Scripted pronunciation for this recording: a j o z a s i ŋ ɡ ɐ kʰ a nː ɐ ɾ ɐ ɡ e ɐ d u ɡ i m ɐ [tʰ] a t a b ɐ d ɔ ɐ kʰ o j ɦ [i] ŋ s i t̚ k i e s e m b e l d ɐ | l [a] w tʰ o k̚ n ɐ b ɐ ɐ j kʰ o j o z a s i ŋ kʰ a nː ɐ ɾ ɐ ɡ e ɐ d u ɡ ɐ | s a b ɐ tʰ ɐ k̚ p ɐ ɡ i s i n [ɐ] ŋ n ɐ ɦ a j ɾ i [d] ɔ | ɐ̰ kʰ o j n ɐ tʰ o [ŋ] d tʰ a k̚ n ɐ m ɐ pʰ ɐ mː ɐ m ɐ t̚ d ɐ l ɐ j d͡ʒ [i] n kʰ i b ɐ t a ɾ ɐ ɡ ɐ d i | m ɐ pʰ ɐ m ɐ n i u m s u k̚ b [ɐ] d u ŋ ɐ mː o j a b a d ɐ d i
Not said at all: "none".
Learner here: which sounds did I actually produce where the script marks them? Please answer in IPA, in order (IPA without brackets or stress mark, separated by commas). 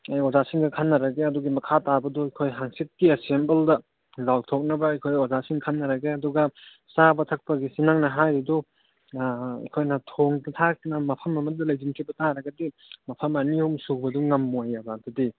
kʰ, a, a, a, d, ŋ, i, ɐ